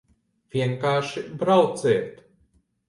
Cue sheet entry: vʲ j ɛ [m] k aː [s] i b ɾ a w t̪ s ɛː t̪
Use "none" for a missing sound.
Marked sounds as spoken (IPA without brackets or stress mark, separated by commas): ŋ, ʃ